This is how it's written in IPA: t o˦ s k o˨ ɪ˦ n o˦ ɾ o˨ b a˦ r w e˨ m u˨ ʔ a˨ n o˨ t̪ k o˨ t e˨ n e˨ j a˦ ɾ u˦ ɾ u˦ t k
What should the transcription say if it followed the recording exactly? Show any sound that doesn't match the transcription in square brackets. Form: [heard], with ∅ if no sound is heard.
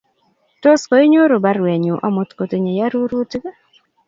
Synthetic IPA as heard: t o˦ s k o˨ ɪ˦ [ɲ] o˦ ɾ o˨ b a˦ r w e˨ [ɲ] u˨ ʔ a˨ [m] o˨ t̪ k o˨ t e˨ [ɲ] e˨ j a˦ ɾ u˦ ɾ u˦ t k

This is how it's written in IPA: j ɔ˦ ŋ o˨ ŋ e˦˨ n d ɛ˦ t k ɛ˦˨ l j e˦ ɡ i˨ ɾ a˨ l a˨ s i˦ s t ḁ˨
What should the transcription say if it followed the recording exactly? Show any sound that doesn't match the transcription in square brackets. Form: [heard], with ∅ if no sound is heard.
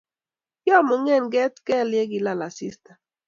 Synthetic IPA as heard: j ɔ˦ [m] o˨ ŋ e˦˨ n [ɡ] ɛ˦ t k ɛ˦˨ l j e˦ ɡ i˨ [l] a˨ l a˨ s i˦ s t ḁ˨

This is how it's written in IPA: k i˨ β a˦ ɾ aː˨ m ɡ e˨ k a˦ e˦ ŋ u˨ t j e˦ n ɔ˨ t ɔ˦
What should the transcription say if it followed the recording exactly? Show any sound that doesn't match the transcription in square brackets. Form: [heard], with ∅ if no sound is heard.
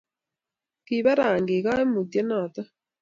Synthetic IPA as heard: k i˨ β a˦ ɾ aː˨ [ŋ] ɡ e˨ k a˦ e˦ [m] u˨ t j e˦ n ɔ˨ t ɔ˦

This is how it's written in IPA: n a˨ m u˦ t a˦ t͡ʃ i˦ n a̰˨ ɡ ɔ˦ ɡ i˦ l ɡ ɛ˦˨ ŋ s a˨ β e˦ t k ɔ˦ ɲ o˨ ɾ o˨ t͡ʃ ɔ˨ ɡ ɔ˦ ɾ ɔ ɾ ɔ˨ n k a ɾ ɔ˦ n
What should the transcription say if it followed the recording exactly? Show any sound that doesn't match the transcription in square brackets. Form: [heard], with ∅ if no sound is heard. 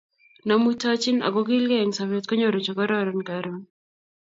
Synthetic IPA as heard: n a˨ m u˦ t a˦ t͡ʃ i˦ n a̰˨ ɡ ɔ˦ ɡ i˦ l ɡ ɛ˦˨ ŋ s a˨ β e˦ t k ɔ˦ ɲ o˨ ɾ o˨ t͡ʃ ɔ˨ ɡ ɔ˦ ɾ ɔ ɾ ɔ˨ n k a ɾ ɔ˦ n

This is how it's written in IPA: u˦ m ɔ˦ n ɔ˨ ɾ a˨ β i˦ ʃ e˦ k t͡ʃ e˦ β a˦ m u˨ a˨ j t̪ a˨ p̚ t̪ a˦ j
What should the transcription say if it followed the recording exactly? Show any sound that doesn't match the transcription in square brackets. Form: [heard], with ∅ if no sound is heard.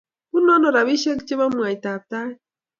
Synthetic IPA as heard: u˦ [n] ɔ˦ n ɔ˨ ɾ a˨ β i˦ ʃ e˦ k t͡ʃ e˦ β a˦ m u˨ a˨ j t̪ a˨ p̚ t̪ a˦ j

